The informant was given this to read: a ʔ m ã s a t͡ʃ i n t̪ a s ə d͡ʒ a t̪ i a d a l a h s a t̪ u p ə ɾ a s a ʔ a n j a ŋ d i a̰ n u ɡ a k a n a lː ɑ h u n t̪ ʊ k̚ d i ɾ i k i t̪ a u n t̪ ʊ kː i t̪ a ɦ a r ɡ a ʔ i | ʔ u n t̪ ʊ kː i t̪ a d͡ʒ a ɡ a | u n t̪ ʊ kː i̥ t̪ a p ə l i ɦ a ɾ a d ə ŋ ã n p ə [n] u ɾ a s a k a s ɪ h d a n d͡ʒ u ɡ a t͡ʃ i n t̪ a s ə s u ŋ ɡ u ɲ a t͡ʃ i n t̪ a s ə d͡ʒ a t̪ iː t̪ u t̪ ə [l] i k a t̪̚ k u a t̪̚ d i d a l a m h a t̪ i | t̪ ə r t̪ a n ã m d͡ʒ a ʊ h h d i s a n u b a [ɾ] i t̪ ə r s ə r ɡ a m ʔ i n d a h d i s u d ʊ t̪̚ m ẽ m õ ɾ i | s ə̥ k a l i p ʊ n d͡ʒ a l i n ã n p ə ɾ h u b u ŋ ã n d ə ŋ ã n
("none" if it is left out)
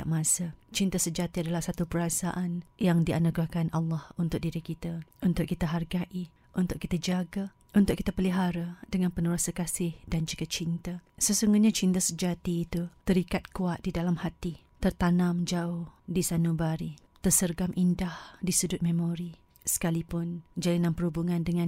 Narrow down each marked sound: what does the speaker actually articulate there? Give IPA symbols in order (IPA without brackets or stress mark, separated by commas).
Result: n, ɾ, ɾ